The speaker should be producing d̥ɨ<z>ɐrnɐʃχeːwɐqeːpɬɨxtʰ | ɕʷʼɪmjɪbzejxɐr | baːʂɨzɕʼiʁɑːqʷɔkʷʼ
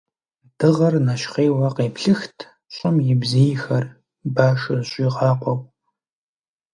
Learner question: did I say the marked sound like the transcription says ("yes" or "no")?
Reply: no